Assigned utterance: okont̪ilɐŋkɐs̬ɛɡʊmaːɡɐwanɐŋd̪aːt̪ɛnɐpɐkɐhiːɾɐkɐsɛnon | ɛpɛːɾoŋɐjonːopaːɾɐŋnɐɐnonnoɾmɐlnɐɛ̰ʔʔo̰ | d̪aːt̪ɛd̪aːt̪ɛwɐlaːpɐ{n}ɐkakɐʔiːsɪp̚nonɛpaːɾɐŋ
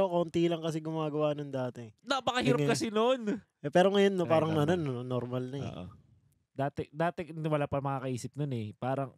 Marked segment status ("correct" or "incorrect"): incorrect